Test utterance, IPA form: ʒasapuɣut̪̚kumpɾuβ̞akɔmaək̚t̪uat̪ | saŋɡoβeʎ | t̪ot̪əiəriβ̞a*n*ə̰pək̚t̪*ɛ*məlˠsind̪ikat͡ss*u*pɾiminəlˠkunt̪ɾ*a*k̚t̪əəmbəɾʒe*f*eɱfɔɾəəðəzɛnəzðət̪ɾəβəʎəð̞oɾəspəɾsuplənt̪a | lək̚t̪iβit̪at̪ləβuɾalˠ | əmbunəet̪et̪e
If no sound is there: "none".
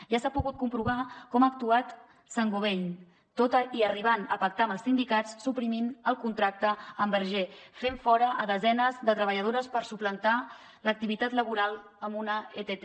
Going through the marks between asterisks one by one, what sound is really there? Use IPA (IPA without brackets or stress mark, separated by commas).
n, a, u, a, f